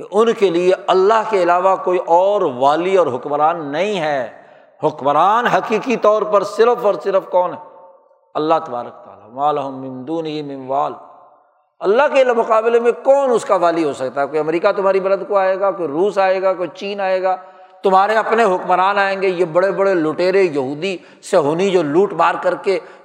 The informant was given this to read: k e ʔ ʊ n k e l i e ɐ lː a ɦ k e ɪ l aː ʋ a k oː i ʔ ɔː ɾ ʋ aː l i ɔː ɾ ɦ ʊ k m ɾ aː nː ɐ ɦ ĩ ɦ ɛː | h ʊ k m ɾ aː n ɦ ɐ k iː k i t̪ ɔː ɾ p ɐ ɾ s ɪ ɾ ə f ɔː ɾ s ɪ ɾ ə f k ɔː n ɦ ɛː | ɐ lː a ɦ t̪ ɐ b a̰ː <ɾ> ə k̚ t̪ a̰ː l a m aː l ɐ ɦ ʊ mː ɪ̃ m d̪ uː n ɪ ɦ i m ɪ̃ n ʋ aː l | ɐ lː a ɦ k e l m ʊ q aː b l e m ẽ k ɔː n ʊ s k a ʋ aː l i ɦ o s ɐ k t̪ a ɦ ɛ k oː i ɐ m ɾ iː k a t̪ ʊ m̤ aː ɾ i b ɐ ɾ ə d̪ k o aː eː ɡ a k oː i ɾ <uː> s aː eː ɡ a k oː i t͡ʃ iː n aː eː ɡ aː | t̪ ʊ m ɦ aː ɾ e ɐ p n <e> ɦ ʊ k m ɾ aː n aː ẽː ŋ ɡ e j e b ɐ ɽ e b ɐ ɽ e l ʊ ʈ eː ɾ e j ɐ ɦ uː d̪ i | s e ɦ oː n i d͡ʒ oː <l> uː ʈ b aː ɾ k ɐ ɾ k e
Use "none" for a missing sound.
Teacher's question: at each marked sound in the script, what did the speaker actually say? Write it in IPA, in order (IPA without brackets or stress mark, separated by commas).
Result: ɾ, uː, e, l